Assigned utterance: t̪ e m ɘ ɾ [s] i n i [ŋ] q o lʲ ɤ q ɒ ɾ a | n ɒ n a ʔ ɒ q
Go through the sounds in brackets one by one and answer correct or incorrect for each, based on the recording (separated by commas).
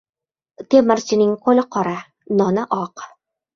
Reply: correct, correct